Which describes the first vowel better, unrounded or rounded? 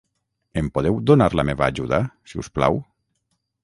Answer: unrounded